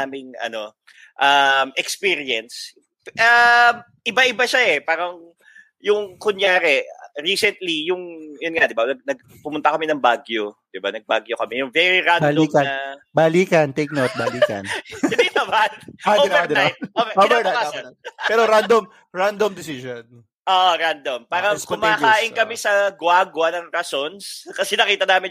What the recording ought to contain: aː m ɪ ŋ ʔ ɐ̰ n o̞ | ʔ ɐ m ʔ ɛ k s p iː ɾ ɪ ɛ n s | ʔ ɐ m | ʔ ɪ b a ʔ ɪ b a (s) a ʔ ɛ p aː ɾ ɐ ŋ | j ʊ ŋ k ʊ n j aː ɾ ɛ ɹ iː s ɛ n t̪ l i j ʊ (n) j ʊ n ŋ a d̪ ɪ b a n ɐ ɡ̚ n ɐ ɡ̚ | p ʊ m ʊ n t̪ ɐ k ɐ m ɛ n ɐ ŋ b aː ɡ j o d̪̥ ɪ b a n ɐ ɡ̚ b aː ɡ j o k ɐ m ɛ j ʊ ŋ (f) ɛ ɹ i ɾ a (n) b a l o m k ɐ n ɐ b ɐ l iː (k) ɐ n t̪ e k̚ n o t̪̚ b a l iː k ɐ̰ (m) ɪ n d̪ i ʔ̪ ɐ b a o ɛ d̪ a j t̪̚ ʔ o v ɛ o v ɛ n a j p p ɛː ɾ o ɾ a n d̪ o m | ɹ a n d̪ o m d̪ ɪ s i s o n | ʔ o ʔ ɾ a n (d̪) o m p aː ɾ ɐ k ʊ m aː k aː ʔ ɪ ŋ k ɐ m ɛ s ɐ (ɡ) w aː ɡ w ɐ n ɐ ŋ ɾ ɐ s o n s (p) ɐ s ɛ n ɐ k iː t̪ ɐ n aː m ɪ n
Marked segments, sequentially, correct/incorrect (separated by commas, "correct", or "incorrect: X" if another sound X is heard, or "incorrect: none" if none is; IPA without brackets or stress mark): incorrect: ʃ, incorrect: ŋ, incorrect: v, correct, correct, incorrect: n, correct, correct, incorrect: k